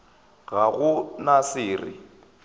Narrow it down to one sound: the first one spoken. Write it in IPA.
ɣ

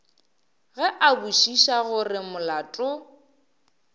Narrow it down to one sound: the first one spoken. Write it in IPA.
ɣ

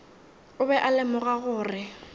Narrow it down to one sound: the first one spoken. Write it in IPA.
ʊ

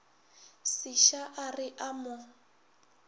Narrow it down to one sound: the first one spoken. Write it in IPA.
s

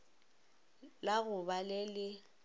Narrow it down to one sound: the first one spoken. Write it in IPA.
l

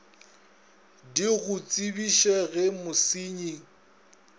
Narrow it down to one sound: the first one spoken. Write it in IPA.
d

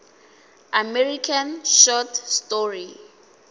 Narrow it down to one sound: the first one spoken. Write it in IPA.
a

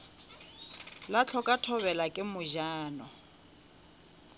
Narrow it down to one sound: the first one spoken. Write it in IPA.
l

